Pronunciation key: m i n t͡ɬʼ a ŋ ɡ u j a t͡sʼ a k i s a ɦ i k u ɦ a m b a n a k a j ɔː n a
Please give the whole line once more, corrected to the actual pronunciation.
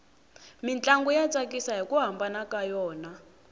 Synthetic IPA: m i n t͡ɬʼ a ŋ ɡ u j a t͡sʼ a k i s a ɦ i k u ɦ a m b a n a k a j ɔː n a